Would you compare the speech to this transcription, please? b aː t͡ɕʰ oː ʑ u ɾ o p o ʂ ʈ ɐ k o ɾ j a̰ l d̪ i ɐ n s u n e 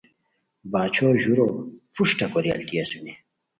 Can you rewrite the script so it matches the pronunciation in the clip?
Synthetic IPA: b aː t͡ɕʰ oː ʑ u ɾ o p u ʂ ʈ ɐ k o ɾ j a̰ l t̪ i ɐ s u n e